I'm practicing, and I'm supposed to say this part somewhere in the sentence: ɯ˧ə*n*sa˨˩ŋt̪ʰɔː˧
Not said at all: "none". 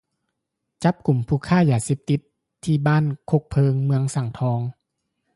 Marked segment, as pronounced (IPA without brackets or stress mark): ŋ